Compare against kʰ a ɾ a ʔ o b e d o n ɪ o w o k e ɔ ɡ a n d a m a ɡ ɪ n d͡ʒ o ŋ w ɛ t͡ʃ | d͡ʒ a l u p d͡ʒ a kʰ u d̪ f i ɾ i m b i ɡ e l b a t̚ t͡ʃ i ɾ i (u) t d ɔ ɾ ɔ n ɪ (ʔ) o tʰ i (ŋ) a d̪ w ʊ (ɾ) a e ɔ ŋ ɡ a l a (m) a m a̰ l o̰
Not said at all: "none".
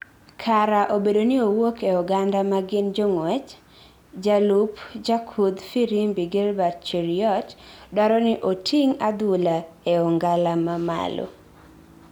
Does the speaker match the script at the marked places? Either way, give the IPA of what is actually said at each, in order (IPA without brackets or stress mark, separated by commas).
ɔ, ʔ, ŋ, l, m